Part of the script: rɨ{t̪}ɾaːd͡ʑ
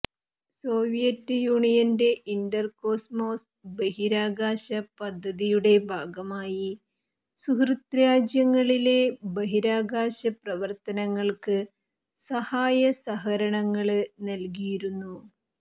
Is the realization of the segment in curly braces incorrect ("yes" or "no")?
no